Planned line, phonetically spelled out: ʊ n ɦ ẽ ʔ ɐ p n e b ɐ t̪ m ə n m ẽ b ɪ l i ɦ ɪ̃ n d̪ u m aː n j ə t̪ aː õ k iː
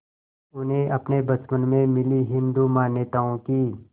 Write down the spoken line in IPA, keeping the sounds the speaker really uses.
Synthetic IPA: ʊ n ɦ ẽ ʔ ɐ p n e b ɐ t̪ m ə n m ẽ m ɪ l i ɦ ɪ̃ n d̪ u m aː n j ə t̪ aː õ k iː